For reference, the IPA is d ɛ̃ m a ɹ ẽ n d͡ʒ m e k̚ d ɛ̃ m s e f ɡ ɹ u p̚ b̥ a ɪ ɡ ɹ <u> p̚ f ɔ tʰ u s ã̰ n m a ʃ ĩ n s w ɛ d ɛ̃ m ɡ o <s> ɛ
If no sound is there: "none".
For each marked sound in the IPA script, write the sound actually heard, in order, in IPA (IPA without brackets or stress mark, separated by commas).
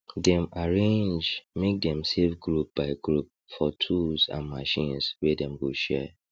u, ʃ